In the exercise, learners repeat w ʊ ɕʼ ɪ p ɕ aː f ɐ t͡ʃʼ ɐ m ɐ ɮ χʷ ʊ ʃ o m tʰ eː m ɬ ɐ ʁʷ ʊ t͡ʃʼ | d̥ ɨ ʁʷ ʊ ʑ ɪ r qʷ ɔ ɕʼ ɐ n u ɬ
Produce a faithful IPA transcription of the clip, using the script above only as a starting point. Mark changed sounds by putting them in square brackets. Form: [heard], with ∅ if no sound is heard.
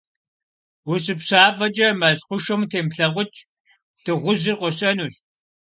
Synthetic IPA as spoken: w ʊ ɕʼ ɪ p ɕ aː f ɐ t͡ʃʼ ɐ m ɐ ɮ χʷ ʊ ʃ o m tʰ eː m ɬ ɐ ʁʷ ʊ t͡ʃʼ | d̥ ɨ ʁʷ ʊ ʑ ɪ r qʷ ɔ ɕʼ ɐ n u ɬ